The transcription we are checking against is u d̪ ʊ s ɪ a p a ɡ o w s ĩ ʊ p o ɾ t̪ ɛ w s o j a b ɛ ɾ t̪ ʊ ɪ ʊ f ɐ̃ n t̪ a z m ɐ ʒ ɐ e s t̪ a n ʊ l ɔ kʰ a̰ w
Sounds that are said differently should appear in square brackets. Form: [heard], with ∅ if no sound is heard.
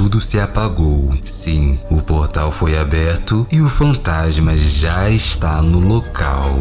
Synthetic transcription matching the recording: u d̪ ʊ s ɪ a p a ɡ o w s ĩ ʊ p o ɾ t̪ [a] w [f] o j a b ɛ ɾ t̪ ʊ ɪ ʊ f ɐ̃ n t̪ a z m ɐ ʒ [a] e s t̪ a n ʊ l [o] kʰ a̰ w